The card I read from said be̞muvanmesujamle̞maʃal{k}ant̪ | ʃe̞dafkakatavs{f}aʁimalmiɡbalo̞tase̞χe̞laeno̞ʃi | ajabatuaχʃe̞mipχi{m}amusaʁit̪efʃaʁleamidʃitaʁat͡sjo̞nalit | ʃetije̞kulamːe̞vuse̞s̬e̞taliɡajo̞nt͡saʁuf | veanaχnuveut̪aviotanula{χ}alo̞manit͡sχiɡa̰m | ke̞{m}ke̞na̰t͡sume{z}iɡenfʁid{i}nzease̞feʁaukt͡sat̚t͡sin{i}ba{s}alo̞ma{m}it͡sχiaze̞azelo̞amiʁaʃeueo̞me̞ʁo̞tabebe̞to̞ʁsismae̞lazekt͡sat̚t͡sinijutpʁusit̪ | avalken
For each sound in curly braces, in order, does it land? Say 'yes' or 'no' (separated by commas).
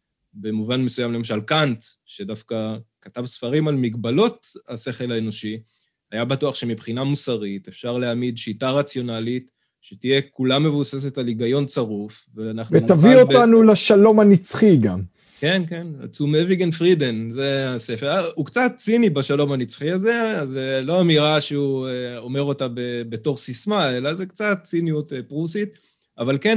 yes, yes, no, no, no, no, no, yes, no, no